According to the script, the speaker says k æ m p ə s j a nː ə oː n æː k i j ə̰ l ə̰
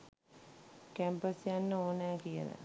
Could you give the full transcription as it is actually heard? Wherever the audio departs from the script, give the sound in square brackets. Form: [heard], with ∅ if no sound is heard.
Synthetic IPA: k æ m p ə s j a nː ə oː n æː k i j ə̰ l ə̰